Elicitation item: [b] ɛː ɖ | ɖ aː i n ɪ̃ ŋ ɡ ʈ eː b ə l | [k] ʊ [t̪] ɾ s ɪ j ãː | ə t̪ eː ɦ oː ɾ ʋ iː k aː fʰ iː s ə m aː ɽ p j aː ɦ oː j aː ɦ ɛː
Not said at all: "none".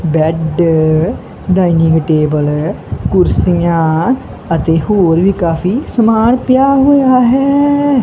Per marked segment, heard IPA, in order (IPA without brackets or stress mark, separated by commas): b, k, none